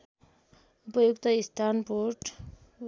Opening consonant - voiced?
no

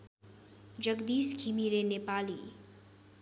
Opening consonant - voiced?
yes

